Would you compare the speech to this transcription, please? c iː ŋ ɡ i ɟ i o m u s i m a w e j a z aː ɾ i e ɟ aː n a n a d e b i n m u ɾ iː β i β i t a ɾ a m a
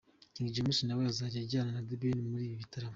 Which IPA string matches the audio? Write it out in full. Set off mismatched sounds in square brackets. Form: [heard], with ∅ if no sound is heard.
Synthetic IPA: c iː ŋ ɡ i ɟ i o m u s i [n] a w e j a z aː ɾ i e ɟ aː n a n a d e b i n m u ɾ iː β i β i t a ɾ a m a